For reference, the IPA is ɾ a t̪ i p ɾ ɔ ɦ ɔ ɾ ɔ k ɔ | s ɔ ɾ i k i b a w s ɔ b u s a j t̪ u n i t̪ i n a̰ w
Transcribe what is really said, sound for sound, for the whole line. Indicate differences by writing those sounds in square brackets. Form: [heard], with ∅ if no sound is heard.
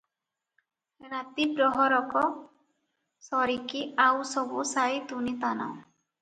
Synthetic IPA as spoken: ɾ a t̪ i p ɾ ɔ ɦ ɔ ɾ ɔ k ɔ | s ɔ ɾ i k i [∅] a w s ɔ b u s a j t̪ u n i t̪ [a] n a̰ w

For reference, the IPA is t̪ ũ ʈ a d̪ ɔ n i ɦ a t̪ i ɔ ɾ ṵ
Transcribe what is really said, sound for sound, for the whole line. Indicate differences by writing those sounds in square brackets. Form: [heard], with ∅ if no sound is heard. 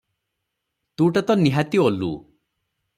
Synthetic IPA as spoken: t̪ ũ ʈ a [t̪] ɔ n i ɦ a t̪ i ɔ [l] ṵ

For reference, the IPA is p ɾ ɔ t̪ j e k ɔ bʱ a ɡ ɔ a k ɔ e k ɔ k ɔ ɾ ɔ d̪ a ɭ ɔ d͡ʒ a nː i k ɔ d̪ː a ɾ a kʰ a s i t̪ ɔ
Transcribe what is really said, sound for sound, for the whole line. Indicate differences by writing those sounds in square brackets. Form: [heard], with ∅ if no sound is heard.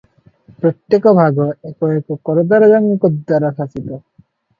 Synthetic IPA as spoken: p ɾ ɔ t̪ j e k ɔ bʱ a ɡ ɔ [e] k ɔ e k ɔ k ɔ ɾ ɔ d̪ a [ɾ] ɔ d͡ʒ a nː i k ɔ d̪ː a ɾ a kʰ a s i t̪ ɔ

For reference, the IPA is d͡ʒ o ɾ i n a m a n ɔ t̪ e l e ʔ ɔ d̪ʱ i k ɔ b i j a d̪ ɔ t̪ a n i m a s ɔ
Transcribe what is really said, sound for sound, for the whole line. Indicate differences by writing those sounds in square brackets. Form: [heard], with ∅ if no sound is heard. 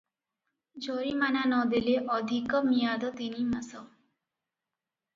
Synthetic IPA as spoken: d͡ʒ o ɾ i [m] a [n] a n ɔ [d̪] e l e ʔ ɔ d̪ʱ i k ɔ [m] i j a d̪ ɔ t̪ [i] n i m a s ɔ

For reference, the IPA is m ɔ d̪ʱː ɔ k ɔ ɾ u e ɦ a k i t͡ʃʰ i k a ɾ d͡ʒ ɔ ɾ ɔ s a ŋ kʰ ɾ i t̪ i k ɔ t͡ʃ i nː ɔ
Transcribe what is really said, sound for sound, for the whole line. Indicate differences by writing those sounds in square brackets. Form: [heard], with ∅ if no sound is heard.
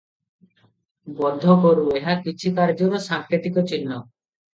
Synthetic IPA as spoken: [b] ɔ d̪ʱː ɔ k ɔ ɾ u e ɦ a k i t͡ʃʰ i k a ɾ d͡ʒ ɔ ɾ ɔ s a ŋ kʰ ɾ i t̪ i k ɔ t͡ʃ i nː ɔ

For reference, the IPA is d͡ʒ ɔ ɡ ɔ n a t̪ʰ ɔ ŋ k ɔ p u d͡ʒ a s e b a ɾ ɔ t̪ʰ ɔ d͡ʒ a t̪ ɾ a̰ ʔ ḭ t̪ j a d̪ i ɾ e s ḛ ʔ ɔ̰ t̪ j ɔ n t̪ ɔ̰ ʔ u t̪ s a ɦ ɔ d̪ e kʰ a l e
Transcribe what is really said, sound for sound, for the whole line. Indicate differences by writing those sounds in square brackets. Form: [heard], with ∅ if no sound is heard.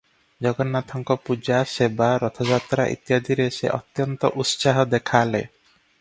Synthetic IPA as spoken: d͡ʒ ɔ ɡ ɔ n a t̪ʰ ɔ ŋ k ɔ p u d͡ʒ a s e b a ɾ ɔ t̪ʰ ɔ d͡ʒ a t̪ ɾ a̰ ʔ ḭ t̪ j a d̪ i ɾ e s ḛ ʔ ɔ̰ t̪ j ɔ n t̪ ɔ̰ ʔ u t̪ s a ɦ ɔ d̪ e kʰ a l e

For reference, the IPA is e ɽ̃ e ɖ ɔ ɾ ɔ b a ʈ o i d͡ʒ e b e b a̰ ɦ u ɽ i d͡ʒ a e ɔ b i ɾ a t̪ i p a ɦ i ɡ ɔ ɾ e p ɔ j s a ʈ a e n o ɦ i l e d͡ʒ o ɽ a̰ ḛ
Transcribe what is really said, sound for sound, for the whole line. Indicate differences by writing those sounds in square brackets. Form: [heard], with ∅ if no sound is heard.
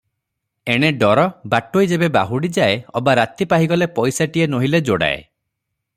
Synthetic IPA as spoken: e ɽ̃ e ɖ ɔ ɾ ɔ b a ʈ o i d͡ʒ e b e b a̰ ɦ u ɽ i d͡ʒ a e ɔ b [a] ɾ a t̪ i p a ɦ i ɡ ɔ [l] e p ɔ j s a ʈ [i] e n o ɦ i l e d͡ʒ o ɽ a̰ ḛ

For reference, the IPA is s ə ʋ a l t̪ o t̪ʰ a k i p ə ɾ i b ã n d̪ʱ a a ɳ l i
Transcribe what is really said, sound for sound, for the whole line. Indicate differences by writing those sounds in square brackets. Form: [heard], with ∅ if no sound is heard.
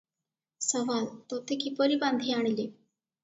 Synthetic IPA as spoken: s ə ʋ a l t̪ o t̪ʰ [e] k i p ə ɾ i b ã n d̪ʱ [i] a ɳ l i

